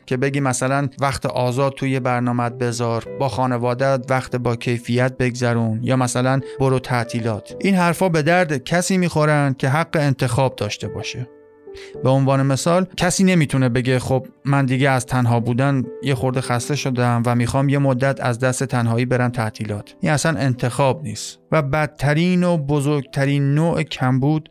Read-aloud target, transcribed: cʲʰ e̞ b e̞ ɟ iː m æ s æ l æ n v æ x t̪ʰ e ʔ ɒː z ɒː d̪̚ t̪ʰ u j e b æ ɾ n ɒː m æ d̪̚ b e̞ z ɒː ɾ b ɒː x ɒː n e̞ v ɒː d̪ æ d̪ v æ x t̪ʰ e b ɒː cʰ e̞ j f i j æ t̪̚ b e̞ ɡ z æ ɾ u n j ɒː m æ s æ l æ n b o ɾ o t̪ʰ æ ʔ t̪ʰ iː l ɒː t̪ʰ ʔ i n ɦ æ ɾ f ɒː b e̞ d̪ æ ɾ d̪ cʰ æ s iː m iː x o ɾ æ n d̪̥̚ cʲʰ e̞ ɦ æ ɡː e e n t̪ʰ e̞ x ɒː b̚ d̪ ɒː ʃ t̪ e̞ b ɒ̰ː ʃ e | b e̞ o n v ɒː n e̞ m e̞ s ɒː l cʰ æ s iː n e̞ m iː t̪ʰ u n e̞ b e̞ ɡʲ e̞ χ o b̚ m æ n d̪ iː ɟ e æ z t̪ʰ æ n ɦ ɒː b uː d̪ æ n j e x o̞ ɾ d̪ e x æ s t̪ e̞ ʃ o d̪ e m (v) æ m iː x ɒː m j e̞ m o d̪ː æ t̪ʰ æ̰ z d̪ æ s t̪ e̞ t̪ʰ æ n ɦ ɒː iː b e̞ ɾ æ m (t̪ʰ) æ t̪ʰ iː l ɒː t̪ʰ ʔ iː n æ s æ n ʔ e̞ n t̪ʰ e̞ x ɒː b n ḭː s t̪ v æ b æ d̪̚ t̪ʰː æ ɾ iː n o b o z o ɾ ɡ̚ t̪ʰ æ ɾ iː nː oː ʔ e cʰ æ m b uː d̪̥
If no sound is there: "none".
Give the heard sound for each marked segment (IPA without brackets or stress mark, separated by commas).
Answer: v, t̪ʰ